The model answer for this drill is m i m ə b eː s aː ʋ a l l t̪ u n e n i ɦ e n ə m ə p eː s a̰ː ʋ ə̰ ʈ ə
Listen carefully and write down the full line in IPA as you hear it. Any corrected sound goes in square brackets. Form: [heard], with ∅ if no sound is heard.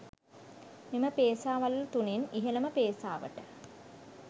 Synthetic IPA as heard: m i m ə [p] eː s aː ʋ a l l t̪ u n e n i ɦ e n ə m ə p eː s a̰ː ʋ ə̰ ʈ ə